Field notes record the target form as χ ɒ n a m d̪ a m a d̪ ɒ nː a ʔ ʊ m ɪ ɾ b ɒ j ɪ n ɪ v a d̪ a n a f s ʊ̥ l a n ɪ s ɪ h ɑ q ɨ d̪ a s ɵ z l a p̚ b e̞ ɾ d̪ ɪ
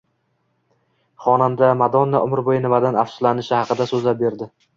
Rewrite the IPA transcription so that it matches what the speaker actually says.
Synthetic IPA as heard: χ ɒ n a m d̪ a m a d̪ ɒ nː a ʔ ʊ m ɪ ɾ b o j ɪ n ɪ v a d̪ a n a f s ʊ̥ l a n ɪ ʃ ɪ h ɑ q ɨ d̪ a s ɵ z l a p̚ b e̞ ɾ d̪ ɪ